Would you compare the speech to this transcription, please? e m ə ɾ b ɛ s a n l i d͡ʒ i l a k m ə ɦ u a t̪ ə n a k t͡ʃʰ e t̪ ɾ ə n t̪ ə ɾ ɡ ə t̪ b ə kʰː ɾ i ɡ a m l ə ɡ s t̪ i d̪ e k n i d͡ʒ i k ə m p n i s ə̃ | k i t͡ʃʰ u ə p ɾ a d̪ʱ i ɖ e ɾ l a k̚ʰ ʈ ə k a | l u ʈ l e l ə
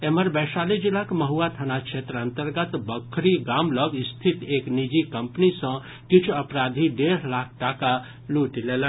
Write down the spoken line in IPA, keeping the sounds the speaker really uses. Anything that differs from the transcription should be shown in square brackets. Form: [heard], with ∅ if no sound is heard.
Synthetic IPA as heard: e m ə ɾ b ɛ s a [∅] l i d͡ʒ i l a k m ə ɦ u a [t̪ʰ] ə n a k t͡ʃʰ e t̪ ɾ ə n t̪ ə ɾ ɡ ə t̪ b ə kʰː ɾ i ɡ a m l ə ɡ s [t̪ʰ] i [t̪] e k n i d͡ʒ i k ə m p n i s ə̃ | k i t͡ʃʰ u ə p ɾ a d̪ʱ i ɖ e ɾ l a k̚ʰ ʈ [a] k a | l u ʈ l e l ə